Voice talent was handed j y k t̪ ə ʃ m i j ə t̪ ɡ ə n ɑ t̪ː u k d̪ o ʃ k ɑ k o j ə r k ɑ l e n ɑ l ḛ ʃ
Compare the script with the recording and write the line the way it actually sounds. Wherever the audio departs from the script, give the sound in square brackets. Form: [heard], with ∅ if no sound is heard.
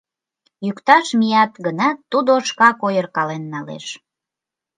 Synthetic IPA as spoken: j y k t̪ [ɑ] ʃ m i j [ɑ] t̪ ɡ ə n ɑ t̪ː u [∅] d̪ o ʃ k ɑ k o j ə r k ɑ l e [nː] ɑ l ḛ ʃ